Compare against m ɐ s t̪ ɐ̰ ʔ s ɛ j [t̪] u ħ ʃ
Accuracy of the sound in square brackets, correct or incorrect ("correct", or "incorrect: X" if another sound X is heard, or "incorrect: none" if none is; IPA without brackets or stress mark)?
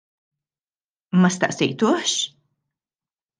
correct